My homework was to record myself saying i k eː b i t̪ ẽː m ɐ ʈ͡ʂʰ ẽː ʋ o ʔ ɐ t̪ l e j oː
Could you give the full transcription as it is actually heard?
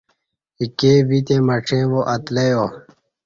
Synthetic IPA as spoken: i k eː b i t̪ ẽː m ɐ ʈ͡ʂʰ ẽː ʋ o ʔ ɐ t̪ l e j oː